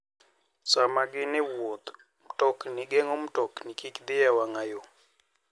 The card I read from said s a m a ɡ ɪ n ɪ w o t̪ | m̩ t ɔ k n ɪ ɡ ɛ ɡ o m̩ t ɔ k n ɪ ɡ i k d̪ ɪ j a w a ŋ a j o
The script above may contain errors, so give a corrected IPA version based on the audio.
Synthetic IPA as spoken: s a m a ɡ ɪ n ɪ w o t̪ | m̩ t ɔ k n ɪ ɡ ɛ ŋ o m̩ t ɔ k n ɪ k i k d̪ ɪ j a w a ŋ a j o